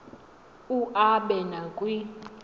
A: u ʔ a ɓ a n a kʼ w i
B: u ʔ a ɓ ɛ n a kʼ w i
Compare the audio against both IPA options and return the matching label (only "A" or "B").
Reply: B